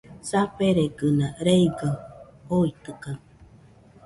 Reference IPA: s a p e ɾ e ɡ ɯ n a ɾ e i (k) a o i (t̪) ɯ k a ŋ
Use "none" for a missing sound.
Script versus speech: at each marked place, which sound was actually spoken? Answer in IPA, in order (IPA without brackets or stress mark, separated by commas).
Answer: ɡ, t̪